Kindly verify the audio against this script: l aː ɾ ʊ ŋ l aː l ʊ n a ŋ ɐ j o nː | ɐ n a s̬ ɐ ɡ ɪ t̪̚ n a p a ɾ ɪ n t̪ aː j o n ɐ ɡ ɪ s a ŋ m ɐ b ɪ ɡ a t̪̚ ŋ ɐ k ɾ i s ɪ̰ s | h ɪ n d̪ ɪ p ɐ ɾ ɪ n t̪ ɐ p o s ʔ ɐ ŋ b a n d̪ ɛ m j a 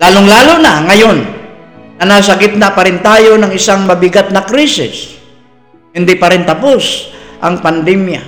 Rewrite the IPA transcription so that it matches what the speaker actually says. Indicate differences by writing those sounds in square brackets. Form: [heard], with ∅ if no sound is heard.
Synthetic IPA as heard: l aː [l] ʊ ŋ l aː l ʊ n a ŋ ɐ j o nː | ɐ n a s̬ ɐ ɡ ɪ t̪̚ n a p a ɾ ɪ n t̪ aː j o n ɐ [ŋ] ɪ s a ŋ m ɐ b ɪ ɡ a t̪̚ [n] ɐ k ɾ i s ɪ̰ s | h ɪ n d̪ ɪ p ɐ ɾ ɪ n t̪ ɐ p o s ʔ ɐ ŋ [p] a n d̪ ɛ m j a